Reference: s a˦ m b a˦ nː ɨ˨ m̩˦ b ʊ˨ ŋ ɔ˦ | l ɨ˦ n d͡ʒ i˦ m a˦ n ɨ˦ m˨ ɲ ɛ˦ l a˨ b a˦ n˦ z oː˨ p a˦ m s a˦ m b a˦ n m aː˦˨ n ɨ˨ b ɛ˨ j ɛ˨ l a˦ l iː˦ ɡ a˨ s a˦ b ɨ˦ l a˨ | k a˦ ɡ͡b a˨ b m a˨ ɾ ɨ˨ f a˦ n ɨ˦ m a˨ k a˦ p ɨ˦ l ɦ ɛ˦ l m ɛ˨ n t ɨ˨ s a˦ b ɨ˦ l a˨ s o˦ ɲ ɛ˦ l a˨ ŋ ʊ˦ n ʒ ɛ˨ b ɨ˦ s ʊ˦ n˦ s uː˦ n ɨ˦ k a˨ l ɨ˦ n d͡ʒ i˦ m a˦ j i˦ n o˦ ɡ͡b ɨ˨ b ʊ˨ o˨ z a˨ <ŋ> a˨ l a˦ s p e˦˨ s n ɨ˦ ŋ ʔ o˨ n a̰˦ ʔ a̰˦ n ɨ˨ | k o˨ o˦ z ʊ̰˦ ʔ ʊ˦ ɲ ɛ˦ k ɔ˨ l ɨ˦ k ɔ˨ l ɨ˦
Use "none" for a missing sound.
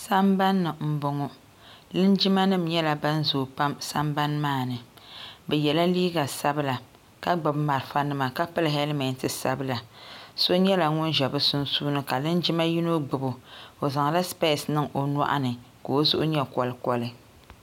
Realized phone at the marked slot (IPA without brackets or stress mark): ŋ